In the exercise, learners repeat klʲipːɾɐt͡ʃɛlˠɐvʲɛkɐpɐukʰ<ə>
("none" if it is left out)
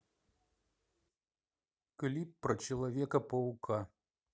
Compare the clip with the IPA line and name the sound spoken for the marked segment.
a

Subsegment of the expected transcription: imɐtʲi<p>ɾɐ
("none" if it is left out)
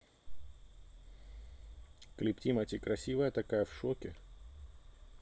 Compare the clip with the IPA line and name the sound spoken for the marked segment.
k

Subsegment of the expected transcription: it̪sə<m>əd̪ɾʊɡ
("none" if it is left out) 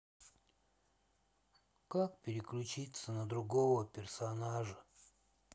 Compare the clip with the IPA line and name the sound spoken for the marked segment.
n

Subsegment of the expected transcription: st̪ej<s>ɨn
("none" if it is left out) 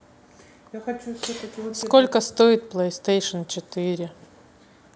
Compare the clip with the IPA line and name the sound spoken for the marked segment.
ʂ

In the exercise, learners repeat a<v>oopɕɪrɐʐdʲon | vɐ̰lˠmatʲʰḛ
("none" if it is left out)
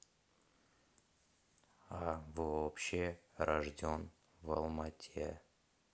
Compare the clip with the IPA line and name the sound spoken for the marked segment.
v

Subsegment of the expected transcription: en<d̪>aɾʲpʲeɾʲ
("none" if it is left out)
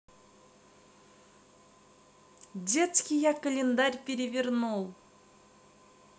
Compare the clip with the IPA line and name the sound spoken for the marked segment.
d̪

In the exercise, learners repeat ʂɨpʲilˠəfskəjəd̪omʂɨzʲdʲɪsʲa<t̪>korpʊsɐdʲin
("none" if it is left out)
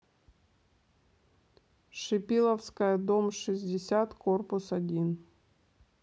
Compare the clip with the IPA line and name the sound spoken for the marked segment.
t̪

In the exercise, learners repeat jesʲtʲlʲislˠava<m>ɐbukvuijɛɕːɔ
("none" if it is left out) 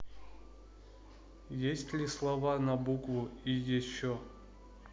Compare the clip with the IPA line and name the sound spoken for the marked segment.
n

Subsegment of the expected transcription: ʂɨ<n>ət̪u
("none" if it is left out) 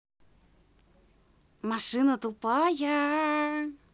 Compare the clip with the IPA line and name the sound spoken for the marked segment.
n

